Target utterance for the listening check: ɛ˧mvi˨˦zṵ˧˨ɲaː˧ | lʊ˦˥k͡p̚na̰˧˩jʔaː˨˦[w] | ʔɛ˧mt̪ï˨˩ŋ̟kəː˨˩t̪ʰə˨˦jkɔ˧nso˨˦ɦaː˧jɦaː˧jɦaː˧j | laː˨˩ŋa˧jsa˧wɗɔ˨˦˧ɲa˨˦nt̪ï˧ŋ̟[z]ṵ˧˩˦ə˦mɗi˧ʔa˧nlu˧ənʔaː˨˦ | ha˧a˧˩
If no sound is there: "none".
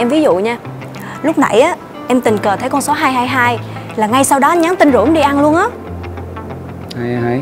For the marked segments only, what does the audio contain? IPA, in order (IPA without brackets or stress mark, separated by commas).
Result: none, z